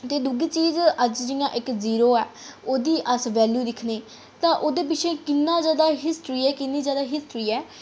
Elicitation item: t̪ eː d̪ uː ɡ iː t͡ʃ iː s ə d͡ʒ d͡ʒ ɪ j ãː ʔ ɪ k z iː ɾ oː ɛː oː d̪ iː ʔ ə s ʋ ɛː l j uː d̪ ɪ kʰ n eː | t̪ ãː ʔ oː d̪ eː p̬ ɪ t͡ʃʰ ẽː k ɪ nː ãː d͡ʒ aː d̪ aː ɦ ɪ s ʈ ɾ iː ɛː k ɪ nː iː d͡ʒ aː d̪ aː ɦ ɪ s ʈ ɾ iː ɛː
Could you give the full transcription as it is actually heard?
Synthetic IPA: t̪ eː d̪ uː ɡ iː t͡ʃ iː z ə d͡ʒ d͡ʒ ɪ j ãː ʔ ɪ k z iː ɾ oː ɛː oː d̪ iː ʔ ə s ʋ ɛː l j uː d̪ ɪ kʰ n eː | t̪ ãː ʔ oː d̪ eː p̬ ɪ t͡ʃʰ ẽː k ɪ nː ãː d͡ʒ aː d̪ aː ɦ ɪ s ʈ ɾ iː ɛː k ɪ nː iː d͡ʒ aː d̪ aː ɦ ɪ s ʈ ɾ iː ɛː